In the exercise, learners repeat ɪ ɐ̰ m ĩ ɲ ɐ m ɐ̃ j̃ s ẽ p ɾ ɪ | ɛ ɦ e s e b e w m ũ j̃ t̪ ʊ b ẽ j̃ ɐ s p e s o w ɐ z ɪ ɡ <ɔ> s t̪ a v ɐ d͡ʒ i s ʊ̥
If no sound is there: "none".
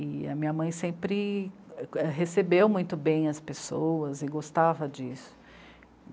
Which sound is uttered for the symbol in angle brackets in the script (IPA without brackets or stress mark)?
o